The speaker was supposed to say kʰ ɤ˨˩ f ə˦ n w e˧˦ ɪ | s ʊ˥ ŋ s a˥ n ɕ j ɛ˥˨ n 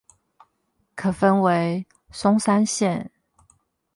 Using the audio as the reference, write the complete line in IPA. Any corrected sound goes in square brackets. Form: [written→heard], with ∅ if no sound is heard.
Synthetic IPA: kʰ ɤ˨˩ f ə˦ n w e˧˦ ɪ | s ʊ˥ ŋ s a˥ n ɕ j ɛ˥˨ n

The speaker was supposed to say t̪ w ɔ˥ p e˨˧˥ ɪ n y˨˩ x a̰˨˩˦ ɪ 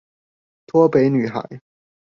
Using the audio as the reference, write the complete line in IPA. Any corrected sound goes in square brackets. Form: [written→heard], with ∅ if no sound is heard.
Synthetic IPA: [t̪→t̪ʰ] w ɔ˥ p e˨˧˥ ɪ n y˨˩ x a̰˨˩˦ ɪ

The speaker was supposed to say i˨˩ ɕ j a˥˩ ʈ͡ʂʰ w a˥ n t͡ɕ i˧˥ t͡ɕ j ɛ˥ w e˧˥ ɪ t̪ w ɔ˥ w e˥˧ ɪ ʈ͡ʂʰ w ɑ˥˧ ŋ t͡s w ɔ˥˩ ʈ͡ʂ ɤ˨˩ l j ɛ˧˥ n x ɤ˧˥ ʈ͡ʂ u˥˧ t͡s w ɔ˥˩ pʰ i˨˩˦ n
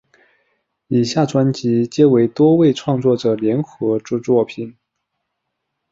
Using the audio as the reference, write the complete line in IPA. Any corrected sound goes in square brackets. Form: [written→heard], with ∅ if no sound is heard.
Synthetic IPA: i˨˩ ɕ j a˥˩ [ʈ͡ʂʰ→ʈ͡ʂ] w a˥ n t͡ɕ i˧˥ t͡ɕ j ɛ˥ w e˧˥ ɪ t̪ w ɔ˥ w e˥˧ ɪ ʈ͡ʂʰ w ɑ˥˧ ŋ t͡s w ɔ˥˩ ʈ͡ʂ ɤ˨˩ l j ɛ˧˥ n x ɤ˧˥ ʈ͡ʂ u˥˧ t͡s w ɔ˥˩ pʰ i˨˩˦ n

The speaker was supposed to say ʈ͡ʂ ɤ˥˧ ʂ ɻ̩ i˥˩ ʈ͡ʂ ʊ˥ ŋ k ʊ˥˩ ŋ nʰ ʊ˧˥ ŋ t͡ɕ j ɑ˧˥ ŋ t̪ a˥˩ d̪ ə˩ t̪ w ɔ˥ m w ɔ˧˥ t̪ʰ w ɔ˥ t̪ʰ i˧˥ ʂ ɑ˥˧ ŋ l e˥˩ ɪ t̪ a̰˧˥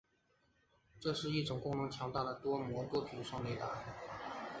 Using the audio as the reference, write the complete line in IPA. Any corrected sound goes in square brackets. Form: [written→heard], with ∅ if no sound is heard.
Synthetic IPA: ʈ͡ʂ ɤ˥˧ ʂ ɻ̩ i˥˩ ʈ͡ʂ [ʊ˥→ʊ˨˩] ŋ k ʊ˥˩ ŋ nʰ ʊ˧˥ ŋ [t͡ɕ→t͡ɕʰ] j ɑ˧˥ ŋ t̪ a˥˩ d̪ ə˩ t̪ w ɔ˥ m w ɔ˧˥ [t̪ʰ→t̪] w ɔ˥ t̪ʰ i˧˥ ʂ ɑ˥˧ ŋ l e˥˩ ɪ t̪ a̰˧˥

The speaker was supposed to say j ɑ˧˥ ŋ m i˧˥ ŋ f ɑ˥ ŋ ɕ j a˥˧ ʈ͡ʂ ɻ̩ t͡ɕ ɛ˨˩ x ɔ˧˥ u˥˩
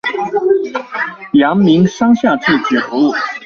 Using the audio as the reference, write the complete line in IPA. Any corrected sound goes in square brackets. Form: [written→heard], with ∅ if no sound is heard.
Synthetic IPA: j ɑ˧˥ ŋ m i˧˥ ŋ [f→ʂ] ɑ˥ ŋ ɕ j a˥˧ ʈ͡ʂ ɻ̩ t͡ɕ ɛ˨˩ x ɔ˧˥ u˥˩

